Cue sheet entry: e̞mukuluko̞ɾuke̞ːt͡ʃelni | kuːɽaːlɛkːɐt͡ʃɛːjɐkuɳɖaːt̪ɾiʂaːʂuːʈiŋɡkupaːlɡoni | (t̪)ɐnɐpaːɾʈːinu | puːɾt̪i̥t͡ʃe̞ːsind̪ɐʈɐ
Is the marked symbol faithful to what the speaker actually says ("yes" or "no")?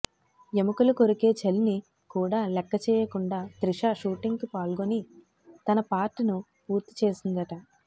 yes